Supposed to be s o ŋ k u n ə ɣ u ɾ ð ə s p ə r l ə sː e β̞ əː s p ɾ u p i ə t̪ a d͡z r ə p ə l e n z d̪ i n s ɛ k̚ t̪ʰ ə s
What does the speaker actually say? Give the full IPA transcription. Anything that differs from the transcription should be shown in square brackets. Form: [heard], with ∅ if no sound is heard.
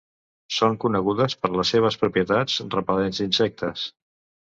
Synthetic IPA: s o ŋ k u n ə ɣ u [∅] ð ə s p ə [ɾ] l ə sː e β̞ [ə] s p ɾ u p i ə t̪ a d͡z r ə p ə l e n z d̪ i n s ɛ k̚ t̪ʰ ə s